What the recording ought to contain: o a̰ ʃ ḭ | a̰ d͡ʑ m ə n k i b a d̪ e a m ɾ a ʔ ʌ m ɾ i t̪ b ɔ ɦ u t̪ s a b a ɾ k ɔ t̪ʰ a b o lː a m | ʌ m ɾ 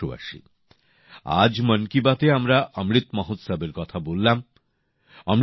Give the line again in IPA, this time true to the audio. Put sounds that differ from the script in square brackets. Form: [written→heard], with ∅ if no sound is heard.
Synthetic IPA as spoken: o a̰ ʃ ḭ | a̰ d͡ʑ m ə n k i b a [d̪→t̪] e a m ɾ a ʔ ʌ m ɾ i t̪ [b→m] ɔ ɦ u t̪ s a b [a→e] ɾ k ɔ t̪ʰ a b o lː a m | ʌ m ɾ